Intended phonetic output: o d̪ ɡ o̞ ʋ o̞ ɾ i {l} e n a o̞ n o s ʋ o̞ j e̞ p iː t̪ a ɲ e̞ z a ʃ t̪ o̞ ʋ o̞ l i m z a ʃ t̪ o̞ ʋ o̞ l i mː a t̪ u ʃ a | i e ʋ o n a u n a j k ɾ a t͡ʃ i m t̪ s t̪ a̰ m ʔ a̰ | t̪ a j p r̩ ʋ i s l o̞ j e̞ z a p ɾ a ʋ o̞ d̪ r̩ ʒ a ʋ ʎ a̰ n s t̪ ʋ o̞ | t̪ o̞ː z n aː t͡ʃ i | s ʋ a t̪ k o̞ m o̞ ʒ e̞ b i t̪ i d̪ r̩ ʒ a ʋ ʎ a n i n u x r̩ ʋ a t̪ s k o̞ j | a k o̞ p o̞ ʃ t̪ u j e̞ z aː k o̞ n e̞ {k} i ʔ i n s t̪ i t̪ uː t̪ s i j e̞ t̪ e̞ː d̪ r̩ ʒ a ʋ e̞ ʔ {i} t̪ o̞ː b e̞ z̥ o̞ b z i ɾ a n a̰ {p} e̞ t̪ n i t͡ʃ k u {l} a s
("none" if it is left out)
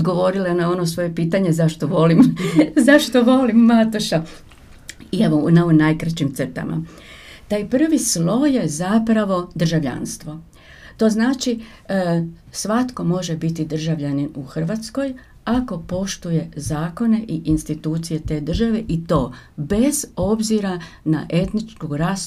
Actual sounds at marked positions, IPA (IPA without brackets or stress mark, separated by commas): l, ʔ, i, ʔ, ɾ